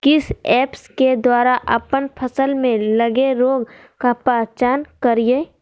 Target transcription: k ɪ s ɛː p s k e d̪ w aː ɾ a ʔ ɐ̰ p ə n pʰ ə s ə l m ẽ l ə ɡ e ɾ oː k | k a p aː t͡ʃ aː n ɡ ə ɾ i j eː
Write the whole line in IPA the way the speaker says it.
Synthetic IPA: k ɪ s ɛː p s k e d̪ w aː ɾ a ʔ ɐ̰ p ə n pʰ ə s ə l m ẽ l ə ɡ e ɾ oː ɡ | k a p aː t͡ʃ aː n k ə ɾ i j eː